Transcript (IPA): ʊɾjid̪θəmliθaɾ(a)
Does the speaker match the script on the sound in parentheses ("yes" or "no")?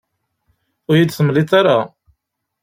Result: yes